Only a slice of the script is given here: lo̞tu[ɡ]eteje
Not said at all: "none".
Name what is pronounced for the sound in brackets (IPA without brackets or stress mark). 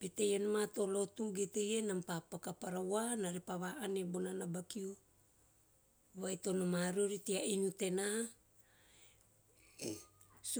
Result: ɡ